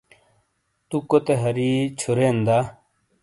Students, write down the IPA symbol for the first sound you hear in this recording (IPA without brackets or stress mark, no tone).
t̪